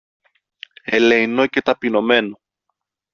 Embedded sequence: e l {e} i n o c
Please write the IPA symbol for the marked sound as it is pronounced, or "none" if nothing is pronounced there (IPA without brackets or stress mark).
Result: e